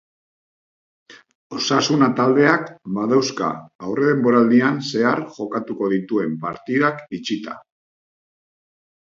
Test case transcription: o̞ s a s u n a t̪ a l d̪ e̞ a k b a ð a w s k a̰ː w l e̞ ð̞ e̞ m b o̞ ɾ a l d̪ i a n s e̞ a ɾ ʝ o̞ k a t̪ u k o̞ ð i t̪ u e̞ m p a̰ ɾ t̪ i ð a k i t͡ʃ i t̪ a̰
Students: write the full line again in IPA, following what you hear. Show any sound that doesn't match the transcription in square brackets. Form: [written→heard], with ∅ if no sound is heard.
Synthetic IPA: o̞ s a s u n a t̪ a l d̪ e̞ a k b a ð a w s k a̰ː w [l→r] e̞ ð̞ e̞ m b o̞ ɾ a l d̪ i a n s e̞ a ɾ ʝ o̞ k a t̪ u k o̞ ð i t̪ u e̞ m p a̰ ɾ t̪ i ð a k i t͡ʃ i t̪ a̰

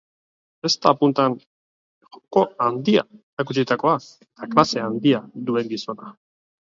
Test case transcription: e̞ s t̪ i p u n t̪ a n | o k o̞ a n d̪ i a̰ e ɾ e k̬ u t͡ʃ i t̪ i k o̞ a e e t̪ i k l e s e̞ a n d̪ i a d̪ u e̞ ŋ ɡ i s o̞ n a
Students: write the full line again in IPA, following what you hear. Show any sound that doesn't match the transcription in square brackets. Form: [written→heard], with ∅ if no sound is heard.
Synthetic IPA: e̞ s t̪ [i→a] p u n t̪ a n | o k o̞ a n d̪ i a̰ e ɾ [e→a] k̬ u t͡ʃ i t̪ [i→a] k o̞ a e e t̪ [i→a] k l [e→a] s e̞ a n d̪ i a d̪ u e̞ ŋ ɡ i s o̞ n a

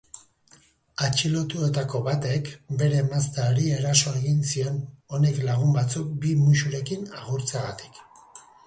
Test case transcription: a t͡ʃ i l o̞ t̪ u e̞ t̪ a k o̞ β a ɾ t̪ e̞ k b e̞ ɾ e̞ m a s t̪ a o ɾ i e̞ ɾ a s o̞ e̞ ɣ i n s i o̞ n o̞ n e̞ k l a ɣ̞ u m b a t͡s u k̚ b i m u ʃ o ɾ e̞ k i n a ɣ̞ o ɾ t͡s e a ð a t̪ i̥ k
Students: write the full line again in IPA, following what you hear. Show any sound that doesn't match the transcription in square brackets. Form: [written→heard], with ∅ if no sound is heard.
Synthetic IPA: a t͡ʃ i l o̞ t̪ u e̞ t̪ a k o̞ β a [ɾ→∅] t̪ e̞ k b e̞ ɾ e̞ m a s t̪ a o ɾ i e̞ ɾ a s o̞ e̞ ɣ i n s i o̞ n o̞ n e̞ k l a ɣ̞ u m b a t͡s u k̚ b i m u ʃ [o→u] ɾ e̞ k i n a ɣ̞ [o→u] ɾ t͡s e a [ð→ɣ] a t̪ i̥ k

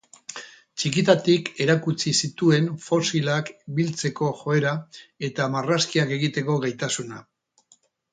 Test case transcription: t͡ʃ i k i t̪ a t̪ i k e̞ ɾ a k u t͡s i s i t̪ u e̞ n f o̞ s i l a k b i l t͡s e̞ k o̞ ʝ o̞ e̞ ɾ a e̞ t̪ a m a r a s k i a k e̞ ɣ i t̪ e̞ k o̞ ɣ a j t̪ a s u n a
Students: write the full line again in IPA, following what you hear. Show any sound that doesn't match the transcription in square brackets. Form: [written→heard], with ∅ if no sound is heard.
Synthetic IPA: t͡ʃ i k i t̪ a t̪ i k e̞ ɾ a k u t͡s i s i t̪ u e̞ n f o̞ s i l a k b i l t͡s e̞ k o̞ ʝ o̞ e̞ ɾ a e̞ t̪ a m a r a s k i a k e̞ ɣ i t̪ e̞ k o̞ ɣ a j t̪ a s u n a

